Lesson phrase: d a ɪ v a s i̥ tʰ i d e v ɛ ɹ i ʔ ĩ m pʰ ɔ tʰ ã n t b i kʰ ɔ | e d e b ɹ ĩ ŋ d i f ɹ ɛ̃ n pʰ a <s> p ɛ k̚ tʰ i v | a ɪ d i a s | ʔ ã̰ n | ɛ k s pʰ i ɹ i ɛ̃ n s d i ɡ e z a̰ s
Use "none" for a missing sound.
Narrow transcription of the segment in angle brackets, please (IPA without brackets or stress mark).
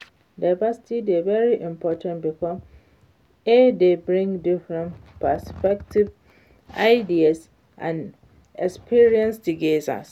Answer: s